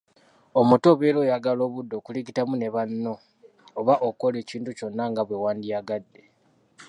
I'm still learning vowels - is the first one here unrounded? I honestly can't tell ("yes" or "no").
no